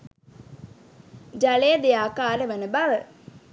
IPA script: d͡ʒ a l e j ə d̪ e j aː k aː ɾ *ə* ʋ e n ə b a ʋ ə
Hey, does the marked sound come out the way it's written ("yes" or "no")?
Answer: yes